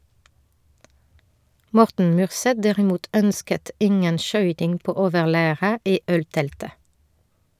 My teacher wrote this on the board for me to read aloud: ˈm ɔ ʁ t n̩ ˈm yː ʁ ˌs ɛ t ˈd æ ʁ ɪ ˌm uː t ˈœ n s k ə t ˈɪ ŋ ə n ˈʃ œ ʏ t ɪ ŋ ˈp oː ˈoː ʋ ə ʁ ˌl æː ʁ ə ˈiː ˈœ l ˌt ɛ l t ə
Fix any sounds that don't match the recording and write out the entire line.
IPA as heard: ˈm ɔ ʁ t n̩ ˈm yː ʁ ˌs ɛ t ˈd æ ʁ ɪ ˌm uː t ˈœ n s k ə t ˈɪ ŋ ə n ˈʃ œ ʏ t ɪ ŋ ˈp oː ˈoː ʋ ə ʁ ˌl æː ʁ ə ˈiː ˈœ l ˌt ɛ l t ə